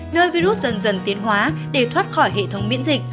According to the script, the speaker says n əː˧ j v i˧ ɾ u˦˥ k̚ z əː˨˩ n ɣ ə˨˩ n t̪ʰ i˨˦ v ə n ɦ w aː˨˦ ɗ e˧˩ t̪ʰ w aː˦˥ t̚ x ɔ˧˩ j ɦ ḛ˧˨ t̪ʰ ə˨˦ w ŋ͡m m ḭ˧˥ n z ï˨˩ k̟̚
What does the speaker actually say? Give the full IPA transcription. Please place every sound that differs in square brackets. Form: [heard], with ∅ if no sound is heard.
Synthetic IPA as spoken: n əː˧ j v i˧ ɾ u˦˥ [t̚] z [ə˨˩] n [z] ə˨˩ n [t̪] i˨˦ [∅] ə n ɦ w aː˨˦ ɗ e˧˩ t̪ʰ w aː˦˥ t̚ x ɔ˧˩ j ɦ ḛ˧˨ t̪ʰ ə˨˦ w ŋ͡m m ḭ˧˥ n z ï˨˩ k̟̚